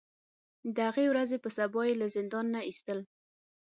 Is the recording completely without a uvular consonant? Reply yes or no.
yes